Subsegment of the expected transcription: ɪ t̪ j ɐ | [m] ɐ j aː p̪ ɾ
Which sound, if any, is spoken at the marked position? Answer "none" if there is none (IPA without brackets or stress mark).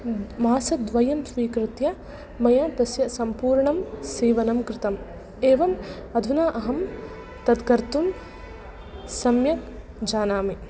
m